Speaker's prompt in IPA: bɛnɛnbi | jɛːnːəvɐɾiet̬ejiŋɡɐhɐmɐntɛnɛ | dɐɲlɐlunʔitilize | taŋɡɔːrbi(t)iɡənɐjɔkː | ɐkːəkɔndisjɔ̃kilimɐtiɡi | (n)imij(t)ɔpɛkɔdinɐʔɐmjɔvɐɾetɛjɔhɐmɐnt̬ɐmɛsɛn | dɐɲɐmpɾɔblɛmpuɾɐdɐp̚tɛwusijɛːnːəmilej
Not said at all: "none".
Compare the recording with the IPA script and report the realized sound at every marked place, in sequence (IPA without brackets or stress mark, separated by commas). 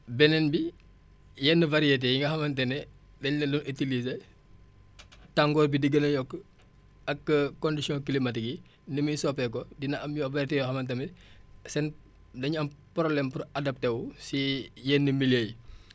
d, n, s